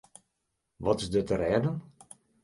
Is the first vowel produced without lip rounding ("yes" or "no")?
no